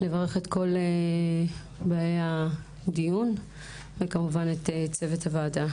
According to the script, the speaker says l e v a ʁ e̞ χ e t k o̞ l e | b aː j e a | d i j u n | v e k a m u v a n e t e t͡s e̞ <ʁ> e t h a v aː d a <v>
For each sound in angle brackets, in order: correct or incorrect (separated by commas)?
incorrect, incorrect